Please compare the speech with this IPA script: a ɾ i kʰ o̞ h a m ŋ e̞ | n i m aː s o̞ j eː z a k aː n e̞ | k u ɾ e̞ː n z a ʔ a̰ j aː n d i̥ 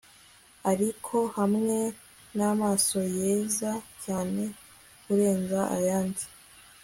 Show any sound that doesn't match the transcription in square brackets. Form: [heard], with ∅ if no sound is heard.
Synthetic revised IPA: a ɾ i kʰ o̞ h a m ŋ e̞ | n [a] m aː s o̞ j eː z a [c] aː n e̞ | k u ɾ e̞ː n z a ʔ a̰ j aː n d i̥